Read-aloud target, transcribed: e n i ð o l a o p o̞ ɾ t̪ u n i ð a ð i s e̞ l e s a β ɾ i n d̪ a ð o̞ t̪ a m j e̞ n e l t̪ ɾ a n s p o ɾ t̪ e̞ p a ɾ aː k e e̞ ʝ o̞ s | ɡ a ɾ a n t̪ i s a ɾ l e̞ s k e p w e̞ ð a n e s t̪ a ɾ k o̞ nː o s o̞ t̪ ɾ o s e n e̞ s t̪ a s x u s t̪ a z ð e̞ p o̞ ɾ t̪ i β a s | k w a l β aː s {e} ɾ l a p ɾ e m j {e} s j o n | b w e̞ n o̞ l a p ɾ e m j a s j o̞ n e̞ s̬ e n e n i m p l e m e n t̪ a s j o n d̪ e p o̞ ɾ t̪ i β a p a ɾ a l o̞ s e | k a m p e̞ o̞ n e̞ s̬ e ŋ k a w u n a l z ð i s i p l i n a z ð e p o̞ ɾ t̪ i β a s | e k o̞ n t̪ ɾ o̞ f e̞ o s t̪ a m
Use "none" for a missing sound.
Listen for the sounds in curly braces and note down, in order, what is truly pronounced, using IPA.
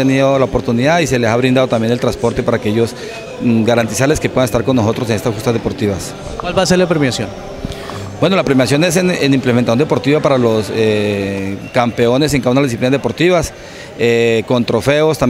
e, a

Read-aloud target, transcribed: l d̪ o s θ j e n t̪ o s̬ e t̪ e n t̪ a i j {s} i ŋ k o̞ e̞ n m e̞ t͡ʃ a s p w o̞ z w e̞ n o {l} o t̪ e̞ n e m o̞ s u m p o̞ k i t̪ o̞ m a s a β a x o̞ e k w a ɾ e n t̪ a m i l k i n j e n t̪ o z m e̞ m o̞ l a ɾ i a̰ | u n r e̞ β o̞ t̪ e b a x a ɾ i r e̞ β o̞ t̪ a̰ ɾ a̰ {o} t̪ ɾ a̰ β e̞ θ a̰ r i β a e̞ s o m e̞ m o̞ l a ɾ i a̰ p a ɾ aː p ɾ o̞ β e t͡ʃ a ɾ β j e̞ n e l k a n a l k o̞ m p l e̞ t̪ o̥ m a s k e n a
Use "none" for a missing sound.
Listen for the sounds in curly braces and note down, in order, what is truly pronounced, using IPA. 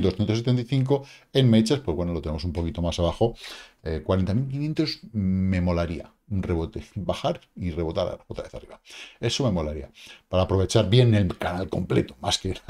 θ, l, o

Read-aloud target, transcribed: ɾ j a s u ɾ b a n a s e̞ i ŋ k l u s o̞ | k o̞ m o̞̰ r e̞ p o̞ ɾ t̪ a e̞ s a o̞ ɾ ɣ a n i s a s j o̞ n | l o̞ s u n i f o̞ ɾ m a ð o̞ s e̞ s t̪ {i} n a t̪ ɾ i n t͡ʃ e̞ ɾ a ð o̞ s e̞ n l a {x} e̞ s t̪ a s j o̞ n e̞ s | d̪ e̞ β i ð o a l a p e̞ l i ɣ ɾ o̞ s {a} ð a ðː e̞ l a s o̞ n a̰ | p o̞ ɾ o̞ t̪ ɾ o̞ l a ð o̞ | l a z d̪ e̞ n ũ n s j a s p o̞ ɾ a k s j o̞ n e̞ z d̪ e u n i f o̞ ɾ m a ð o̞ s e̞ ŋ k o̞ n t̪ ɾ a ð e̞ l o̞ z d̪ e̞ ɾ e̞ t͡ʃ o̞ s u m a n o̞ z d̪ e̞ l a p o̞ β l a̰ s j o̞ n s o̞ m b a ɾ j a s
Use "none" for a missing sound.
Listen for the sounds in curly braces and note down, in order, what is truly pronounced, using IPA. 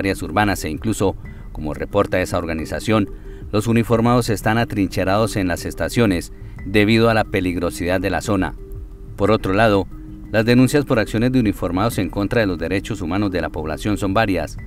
a, s, i

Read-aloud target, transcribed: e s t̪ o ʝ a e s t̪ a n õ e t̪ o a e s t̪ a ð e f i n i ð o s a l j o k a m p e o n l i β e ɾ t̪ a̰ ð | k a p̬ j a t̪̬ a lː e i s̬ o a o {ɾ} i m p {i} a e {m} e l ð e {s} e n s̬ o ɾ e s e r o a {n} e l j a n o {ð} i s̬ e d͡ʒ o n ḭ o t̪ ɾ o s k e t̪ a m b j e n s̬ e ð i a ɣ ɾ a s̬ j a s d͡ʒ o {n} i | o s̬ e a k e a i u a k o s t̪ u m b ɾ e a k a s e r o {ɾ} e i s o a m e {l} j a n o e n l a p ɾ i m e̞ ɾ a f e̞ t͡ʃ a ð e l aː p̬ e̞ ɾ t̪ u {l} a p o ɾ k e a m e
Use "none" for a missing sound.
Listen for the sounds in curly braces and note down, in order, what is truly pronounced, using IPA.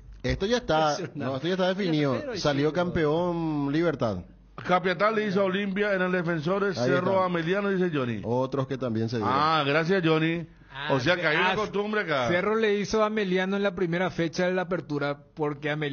l, j, n, f, m, ð, n, l, l, ɾ

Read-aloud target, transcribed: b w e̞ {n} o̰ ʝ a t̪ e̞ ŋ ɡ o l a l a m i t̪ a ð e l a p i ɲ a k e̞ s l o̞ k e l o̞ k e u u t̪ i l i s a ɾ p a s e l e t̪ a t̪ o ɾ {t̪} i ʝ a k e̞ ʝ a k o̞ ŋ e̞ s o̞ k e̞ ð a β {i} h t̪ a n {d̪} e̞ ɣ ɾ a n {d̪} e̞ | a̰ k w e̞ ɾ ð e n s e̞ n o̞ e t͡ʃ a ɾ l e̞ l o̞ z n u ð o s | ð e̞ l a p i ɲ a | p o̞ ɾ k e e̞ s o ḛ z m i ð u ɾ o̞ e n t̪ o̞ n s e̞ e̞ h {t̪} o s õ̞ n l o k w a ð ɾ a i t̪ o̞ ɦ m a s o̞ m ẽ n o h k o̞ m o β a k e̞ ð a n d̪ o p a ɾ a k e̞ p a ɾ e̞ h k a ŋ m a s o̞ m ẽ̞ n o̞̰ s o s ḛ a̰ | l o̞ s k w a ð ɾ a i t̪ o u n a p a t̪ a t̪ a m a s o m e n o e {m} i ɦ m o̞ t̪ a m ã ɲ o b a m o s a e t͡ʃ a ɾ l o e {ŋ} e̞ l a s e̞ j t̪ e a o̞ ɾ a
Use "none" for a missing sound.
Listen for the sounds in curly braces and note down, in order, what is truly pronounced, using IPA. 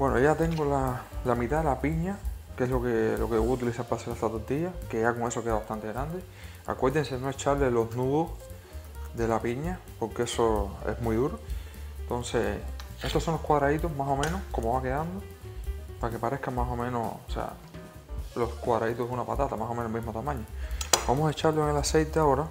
n, t̪, a, t̪, d̪, t̪, m, ŋ

